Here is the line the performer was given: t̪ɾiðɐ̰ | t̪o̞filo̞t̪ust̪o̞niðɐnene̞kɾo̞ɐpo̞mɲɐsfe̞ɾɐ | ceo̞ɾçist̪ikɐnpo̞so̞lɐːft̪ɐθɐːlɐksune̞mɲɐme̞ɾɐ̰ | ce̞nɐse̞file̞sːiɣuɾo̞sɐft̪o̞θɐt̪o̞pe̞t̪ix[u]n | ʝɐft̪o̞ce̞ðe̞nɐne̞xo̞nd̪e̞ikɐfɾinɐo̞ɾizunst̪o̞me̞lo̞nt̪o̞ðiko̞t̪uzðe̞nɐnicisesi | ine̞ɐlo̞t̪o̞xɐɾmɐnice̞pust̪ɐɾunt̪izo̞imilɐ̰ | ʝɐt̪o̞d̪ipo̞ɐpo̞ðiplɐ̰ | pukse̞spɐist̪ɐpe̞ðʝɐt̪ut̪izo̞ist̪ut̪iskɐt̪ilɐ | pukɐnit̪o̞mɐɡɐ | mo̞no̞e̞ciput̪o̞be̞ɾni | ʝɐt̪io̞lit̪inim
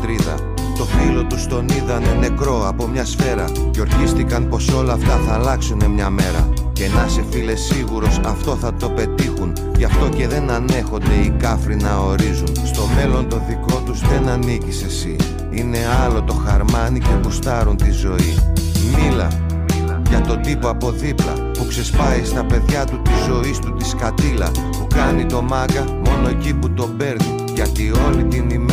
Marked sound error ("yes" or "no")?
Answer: no